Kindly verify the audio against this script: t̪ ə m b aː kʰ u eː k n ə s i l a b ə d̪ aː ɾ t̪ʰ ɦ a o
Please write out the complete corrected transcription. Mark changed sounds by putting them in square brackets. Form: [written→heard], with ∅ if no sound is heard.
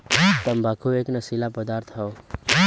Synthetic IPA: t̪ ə m b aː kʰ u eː k n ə s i l a [b→p] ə d̪ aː ɾ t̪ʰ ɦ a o